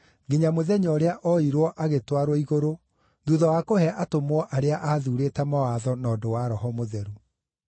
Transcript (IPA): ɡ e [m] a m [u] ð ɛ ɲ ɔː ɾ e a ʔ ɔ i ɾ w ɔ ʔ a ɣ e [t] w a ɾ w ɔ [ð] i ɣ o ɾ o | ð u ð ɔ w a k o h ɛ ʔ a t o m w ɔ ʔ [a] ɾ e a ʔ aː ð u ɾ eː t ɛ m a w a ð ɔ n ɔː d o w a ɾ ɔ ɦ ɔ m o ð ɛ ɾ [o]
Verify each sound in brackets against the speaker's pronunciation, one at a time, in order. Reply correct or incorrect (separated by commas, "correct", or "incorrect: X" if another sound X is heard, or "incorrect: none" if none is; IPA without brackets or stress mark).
incorrect: ɲ, incorrect: o, correct, incorrect: none, correct, incorrect: u